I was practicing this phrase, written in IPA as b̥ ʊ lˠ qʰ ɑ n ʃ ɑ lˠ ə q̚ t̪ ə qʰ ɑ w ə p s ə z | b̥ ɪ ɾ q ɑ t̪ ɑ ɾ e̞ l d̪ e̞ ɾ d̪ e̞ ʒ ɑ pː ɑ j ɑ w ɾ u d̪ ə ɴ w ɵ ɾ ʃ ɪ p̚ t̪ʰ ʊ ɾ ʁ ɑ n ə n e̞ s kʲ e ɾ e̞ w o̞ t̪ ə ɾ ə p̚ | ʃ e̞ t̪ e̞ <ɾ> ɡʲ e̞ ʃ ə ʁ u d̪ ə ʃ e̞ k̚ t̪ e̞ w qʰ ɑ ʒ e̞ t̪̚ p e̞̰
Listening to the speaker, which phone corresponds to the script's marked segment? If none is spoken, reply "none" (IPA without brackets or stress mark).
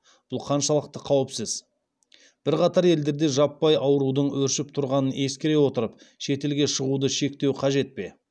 l